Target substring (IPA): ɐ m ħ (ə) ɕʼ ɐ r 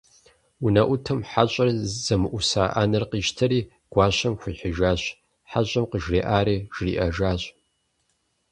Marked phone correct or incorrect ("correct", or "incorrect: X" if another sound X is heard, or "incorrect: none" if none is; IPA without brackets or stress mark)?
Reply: incorrect: a